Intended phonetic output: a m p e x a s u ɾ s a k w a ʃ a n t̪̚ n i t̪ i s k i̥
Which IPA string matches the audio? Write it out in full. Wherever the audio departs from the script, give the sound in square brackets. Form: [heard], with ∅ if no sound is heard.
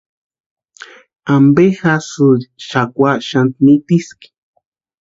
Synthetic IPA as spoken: a m [b] e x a s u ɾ [ʃ] a k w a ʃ a n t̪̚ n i t̪ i s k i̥